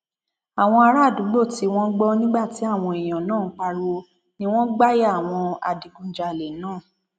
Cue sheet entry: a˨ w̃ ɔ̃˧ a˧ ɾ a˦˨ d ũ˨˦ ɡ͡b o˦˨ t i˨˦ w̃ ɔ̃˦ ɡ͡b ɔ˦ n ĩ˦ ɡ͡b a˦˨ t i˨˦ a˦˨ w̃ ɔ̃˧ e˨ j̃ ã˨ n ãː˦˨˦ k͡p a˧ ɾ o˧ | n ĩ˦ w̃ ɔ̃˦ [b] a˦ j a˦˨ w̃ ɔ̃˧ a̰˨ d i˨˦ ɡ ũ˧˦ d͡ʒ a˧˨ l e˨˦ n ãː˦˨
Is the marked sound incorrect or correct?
incorrect